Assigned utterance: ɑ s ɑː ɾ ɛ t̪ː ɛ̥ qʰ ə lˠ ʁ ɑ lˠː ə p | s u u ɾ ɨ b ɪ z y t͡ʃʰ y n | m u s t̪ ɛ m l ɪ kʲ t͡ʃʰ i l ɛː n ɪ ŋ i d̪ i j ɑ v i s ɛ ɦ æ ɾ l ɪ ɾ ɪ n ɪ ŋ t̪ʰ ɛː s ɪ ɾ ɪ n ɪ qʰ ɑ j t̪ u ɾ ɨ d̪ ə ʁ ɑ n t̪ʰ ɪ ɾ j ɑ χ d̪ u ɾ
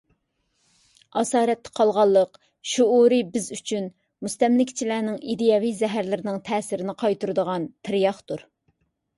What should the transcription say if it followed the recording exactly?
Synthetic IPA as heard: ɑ s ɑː ɾ ɛ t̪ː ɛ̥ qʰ ɑ lˠ ʁ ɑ lˠː ə q | ʃ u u ɾ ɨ b ɪ z y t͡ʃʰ y n | m u s t̪ ɛ m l ɪ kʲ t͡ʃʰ i l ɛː n ɪ ŋ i d̪ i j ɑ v i z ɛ ɦ æ ɾ l ɪ ɾ ɪ n ɪ ŋ t̪ʰ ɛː s ɪ ɾ ɪ n ɪ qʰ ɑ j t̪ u ɾ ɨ d̪ ə ʁ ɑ n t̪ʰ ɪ ɾ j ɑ χ t̪ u ɾ